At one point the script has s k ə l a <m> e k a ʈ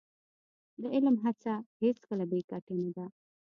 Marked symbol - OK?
no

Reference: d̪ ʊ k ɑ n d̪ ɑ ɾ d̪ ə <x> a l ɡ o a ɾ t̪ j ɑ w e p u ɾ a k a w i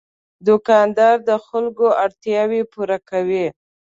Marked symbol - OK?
yes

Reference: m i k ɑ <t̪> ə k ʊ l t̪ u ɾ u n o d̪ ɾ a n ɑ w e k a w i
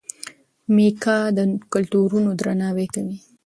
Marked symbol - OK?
no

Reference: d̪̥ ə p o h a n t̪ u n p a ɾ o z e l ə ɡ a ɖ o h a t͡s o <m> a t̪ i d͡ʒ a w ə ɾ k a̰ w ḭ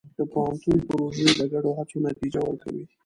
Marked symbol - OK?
no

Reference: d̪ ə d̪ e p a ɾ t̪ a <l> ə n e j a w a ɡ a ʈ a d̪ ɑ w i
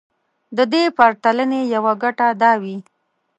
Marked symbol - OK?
yes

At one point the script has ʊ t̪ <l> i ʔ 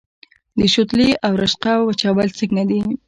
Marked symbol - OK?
yes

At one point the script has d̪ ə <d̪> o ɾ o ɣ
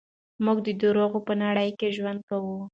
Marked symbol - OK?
yes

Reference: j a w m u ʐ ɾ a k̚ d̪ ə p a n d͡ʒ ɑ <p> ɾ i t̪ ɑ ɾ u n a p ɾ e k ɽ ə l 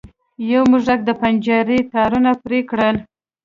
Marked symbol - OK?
no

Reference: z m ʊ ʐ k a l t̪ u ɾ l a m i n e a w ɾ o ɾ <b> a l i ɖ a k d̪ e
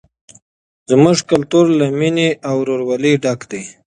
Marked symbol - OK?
no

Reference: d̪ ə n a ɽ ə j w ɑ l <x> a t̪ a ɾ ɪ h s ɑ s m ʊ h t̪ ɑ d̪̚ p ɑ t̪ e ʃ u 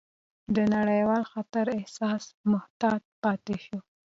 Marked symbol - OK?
yes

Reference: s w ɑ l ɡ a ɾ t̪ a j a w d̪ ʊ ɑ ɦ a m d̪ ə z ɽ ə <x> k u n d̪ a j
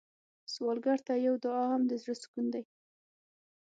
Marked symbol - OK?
no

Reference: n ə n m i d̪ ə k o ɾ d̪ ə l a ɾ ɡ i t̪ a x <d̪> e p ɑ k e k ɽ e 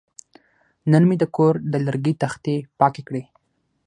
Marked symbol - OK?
no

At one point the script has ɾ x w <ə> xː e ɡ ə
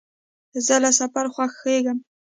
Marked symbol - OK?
no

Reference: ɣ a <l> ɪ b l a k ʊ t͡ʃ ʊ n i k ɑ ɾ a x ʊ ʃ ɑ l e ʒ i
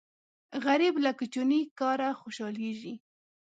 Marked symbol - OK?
no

